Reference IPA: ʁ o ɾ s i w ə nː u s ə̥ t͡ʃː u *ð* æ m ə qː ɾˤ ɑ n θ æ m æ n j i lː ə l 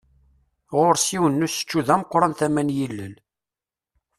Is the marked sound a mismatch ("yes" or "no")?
no